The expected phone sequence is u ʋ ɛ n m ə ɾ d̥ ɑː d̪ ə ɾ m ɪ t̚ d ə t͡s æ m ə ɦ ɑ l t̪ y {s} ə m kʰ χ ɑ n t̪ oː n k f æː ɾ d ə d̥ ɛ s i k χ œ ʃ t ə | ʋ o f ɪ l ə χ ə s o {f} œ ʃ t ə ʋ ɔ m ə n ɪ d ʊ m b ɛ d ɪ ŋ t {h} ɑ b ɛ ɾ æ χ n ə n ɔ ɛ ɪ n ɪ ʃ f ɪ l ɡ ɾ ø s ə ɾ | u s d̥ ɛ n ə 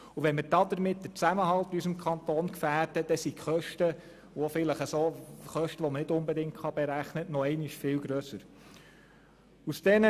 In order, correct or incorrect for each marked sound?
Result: correct, incorrect: χ, incorrect: χ

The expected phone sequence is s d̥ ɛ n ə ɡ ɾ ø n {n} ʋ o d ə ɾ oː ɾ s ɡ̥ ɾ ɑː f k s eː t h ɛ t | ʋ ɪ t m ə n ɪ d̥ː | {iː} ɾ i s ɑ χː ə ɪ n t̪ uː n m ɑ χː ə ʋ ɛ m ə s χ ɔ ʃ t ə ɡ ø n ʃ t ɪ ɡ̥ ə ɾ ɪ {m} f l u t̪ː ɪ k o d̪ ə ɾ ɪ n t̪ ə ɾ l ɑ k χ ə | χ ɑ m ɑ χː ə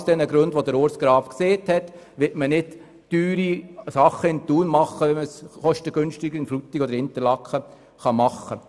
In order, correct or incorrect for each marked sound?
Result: incorrect: d, incorrect: yː, incorrect: n

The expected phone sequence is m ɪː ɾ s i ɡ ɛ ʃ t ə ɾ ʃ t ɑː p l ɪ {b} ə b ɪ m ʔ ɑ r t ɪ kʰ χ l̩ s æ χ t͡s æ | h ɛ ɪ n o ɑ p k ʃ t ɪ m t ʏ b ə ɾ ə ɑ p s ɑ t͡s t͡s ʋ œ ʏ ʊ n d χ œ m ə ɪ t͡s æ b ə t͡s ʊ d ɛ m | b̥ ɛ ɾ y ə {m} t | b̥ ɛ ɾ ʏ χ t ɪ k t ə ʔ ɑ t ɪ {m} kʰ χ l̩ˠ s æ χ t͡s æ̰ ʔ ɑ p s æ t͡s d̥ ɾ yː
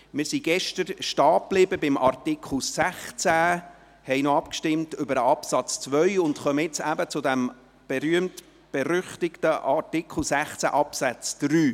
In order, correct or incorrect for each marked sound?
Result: correct, correct, incorrect: none

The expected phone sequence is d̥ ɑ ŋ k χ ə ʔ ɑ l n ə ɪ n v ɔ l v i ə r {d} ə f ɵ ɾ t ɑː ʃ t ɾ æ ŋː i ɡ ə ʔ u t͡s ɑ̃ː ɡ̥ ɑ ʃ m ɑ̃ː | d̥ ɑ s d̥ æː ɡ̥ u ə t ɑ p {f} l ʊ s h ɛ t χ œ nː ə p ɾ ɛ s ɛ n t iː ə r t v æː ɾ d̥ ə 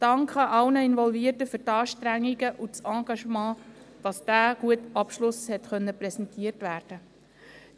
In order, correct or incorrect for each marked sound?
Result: incorrect: t, incorrect: ʃ

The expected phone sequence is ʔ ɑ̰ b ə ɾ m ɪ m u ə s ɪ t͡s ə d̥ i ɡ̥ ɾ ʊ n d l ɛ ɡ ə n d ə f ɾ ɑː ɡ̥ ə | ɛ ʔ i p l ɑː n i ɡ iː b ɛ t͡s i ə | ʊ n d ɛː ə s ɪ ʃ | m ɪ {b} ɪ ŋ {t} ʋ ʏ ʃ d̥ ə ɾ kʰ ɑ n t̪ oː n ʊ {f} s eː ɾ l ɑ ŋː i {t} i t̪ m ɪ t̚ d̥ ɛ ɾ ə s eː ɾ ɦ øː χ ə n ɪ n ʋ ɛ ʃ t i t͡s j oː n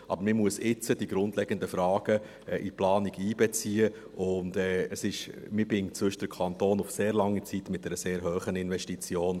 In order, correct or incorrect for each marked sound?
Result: correct, incorrect: t͡s, correct, incorrect: t͡s

